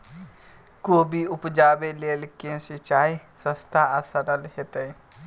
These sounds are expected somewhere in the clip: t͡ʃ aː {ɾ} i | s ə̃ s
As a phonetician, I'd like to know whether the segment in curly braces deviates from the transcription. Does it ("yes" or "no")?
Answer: yes